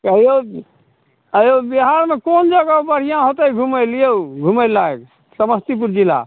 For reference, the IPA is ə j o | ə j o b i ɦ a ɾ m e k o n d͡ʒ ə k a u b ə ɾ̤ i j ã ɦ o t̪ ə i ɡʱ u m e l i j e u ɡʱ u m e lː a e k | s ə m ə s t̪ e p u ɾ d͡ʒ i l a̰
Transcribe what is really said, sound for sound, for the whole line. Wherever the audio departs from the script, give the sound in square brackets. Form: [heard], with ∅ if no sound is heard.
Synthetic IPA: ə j o | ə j o b i ɦ a ɾ m e k o n d͡ʒ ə [ɡ] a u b ə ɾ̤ i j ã ɦ o t̪ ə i ɡʱ u m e l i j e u ɡʱ u m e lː a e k | s ə m ə s t̪ [i] p u ɾ d͡ʒ i l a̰